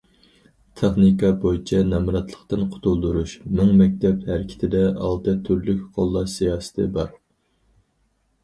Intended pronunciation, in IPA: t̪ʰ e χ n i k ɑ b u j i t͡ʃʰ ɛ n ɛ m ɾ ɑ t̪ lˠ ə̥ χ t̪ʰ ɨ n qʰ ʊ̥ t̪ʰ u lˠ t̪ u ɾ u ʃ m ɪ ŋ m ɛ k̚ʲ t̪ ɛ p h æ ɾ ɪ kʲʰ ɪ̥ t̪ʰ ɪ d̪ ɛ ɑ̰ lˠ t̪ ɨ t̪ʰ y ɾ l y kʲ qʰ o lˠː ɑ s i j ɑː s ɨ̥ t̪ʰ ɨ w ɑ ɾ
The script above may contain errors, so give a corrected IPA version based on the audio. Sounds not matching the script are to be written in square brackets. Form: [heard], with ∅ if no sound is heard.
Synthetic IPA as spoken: t̪ʰ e χ n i k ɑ b [o] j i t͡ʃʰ ɛ n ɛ m ɾ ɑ t̪ lˠ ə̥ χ [t̪] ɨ n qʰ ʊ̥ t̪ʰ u lˠ [d̪] u ɾ u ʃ m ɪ ŋ m ɛ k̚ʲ t̪ ɛ p h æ ɾ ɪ kʲʰ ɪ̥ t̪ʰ ɪ d̪ ɛ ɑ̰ lˠ t̪ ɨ t̪ʰ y ɾ l y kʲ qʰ o lˠː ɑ s i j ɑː s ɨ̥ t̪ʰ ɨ [b] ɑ ɾ